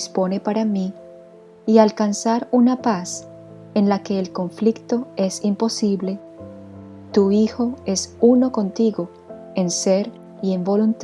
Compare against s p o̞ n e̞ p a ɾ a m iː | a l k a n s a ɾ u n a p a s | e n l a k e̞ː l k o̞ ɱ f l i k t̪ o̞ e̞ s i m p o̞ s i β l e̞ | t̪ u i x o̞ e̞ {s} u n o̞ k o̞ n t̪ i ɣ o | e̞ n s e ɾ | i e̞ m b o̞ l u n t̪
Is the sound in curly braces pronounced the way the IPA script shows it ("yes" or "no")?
yes